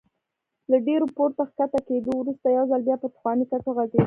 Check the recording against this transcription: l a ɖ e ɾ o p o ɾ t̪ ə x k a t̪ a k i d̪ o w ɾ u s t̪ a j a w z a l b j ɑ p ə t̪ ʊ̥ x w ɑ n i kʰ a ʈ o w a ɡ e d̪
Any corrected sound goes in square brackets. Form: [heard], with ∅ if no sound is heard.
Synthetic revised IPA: l a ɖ e ɾ o p o ɾ t̪ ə x k a t̪ a k [e] d̪ o w ɾ u s t̪ a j a w z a l b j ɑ p ə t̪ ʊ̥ x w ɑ n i [k] a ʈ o [ɣ] a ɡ e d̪